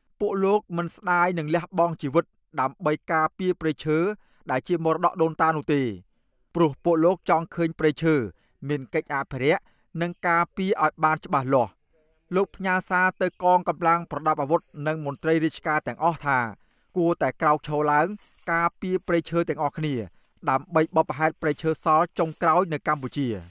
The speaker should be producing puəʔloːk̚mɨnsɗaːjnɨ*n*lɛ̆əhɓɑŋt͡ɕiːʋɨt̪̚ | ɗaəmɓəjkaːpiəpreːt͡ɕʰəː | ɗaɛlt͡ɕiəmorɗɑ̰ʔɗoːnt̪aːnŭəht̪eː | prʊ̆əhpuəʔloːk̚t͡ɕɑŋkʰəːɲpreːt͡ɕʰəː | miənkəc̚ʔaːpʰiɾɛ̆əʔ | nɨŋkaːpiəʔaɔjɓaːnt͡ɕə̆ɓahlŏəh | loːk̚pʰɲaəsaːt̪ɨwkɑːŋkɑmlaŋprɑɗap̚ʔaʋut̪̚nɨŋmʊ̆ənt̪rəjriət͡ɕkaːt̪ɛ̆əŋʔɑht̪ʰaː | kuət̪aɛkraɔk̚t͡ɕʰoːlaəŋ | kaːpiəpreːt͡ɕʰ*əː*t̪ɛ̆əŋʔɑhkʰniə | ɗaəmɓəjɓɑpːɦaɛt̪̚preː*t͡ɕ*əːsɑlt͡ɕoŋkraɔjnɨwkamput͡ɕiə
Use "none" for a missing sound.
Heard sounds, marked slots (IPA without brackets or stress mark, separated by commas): ŋ, əː, t͡ɕʰ